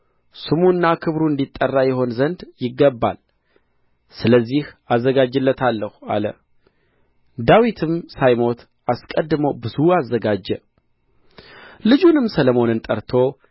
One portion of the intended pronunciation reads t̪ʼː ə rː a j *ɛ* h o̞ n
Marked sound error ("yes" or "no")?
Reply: no